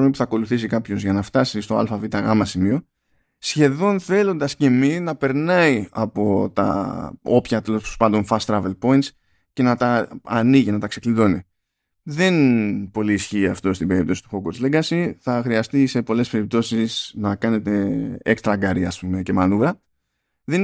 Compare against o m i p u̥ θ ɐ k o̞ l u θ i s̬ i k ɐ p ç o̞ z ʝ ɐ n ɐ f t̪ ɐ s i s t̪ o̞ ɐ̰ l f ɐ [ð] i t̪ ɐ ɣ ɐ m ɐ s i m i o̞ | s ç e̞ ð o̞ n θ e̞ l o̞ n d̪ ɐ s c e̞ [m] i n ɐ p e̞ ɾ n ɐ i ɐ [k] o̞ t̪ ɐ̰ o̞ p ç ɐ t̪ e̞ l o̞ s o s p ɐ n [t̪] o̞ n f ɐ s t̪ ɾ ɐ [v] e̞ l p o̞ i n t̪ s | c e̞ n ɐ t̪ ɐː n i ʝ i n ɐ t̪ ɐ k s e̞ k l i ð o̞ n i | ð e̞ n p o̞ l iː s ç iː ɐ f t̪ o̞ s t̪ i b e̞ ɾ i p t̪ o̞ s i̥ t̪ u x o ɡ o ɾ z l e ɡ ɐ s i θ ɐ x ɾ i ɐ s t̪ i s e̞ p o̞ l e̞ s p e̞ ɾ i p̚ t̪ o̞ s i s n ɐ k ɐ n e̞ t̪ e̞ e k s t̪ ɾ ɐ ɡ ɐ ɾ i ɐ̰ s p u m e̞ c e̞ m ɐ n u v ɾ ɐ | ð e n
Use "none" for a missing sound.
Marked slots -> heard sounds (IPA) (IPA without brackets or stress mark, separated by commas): v, m, p, d̪, v